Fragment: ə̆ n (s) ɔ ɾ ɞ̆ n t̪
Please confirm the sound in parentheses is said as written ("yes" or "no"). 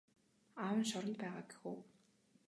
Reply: no